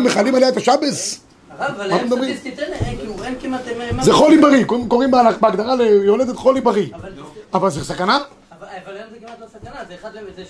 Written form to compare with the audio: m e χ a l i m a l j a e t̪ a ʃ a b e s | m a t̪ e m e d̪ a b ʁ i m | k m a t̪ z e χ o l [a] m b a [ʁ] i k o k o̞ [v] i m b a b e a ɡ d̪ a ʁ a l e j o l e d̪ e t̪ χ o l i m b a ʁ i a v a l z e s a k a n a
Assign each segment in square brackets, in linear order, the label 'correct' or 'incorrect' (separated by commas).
incorrect, correct, incorrect